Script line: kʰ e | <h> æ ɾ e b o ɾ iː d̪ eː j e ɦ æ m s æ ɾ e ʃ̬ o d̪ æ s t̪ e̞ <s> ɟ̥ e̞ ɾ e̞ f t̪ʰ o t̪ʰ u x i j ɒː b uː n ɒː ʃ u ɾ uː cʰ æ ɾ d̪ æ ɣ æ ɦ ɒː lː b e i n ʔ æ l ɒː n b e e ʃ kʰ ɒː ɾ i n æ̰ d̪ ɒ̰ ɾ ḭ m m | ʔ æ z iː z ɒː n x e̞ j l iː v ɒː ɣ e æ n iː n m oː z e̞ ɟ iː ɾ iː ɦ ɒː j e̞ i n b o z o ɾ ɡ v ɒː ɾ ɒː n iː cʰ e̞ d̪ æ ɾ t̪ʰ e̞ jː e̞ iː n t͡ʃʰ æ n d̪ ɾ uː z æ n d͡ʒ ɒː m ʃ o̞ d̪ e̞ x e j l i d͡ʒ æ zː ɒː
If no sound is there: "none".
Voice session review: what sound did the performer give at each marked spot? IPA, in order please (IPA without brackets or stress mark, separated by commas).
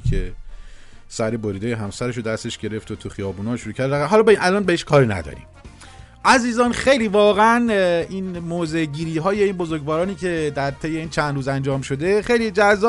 s, ʃ